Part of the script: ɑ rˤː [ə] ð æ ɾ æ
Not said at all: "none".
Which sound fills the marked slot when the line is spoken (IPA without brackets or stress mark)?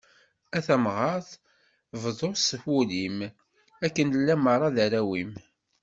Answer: ɑ